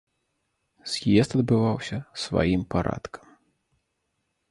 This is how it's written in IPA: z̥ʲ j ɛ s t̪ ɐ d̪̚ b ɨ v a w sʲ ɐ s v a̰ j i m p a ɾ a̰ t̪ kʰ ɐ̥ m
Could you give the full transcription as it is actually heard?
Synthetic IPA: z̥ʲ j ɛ s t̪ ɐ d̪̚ b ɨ v a w sʲ ɐ s v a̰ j i m p a ɾ a̰ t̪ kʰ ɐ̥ m